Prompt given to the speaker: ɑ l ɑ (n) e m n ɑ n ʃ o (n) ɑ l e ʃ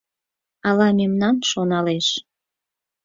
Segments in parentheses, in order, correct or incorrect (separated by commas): incorrect, correct